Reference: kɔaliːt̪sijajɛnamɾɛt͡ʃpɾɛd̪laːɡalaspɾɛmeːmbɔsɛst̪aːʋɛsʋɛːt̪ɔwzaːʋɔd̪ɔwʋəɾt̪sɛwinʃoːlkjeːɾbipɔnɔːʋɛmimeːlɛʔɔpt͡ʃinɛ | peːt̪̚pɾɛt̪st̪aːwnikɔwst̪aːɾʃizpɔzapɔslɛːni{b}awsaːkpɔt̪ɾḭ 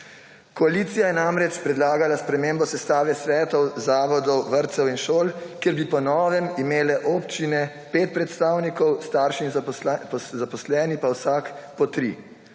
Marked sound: incorrect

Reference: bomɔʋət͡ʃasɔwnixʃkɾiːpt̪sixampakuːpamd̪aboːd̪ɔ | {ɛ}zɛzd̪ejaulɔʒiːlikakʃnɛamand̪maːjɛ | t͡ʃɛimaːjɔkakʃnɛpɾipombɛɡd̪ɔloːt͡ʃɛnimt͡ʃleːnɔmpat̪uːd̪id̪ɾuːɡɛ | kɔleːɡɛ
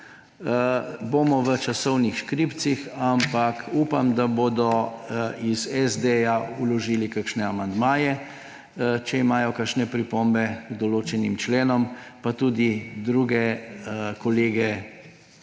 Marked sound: incorrect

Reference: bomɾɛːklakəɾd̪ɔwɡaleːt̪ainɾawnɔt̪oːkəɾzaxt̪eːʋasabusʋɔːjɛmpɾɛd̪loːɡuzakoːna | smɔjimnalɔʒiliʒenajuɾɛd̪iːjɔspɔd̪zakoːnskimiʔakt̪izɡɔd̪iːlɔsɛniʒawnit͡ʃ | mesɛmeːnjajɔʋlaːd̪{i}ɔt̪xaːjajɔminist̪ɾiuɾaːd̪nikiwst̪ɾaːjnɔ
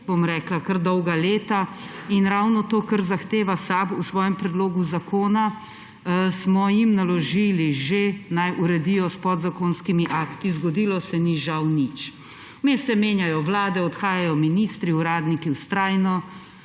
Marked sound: incorrect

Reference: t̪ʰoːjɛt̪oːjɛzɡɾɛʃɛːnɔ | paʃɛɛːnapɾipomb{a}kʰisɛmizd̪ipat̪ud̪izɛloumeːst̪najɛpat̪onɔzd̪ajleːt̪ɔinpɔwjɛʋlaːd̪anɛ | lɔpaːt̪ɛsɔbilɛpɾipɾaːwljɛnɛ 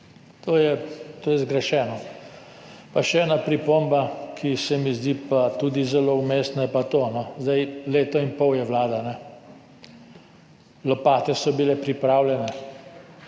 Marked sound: correct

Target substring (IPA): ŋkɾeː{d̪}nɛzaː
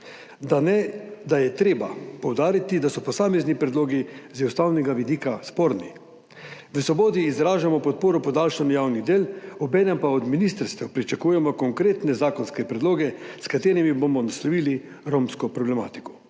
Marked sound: incorrect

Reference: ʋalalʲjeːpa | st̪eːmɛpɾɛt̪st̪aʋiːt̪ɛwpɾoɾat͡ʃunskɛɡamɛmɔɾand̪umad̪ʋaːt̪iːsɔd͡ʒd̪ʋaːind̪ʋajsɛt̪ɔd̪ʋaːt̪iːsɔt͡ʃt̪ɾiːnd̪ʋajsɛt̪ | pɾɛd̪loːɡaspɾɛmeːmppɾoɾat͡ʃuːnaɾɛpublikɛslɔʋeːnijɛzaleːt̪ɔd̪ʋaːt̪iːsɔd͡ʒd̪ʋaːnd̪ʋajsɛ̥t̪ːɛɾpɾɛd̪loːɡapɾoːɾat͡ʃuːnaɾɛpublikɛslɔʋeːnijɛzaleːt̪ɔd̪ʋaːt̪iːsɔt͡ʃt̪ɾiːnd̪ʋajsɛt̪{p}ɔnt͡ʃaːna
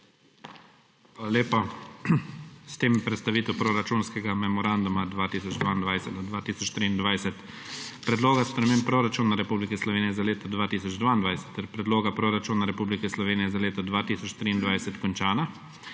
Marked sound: incorrect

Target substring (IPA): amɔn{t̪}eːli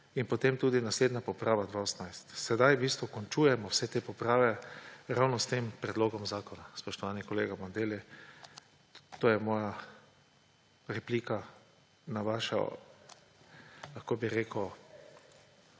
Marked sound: incorrect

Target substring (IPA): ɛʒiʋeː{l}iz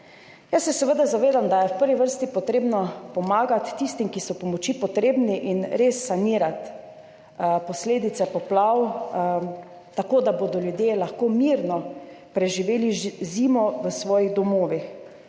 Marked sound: correct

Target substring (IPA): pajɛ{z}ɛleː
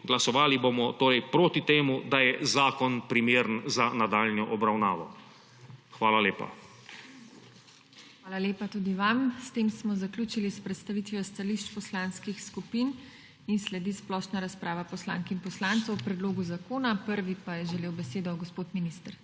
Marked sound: incorrect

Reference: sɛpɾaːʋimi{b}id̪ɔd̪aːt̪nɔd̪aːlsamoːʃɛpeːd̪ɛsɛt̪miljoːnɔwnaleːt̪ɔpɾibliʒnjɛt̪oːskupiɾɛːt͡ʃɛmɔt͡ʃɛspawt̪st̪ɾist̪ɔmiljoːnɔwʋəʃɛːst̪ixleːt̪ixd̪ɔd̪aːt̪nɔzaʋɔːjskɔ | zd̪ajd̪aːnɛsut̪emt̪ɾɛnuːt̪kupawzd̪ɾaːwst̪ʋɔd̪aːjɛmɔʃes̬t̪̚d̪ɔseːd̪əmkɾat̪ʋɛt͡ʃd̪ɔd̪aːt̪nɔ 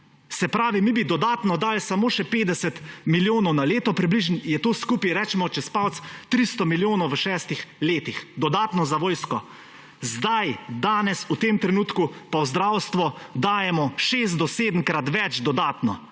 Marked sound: correct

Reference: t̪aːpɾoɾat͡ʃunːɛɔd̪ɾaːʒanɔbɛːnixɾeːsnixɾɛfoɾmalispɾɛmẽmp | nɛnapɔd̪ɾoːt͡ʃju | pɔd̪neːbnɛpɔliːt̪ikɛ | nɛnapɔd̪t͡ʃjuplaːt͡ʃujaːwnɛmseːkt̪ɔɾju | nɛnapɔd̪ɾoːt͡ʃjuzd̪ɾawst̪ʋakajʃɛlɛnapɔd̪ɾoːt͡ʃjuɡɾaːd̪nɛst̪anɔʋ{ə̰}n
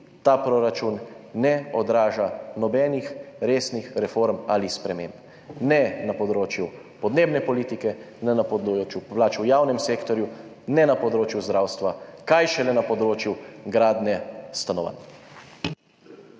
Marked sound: incorrect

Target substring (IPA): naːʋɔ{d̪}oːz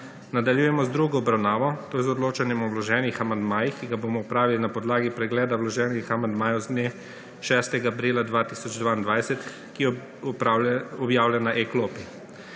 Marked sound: incorrect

